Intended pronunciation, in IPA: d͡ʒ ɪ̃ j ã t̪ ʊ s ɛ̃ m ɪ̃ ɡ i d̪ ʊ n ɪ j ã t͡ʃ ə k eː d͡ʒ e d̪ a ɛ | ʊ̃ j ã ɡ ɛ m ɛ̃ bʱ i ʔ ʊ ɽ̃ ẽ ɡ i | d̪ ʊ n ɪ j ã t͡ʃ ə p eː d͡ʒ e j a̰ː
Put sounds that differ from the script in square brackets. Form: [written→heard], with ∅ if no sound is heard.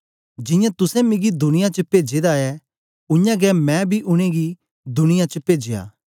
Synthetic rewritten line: d͡ʒ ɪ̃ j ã t̪ ʊ s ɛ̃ m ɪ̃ ɡ i d̪ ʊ n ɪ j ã t͡ʃ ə [k→p] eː d͡ʒ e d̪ a ɛ | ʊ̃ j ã ɡ ɛ m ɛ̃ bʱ i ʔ ʊ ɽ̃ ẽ ɡ i | d̪ ʊ n ɪ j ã t͡ʃ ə p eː d͡ʒ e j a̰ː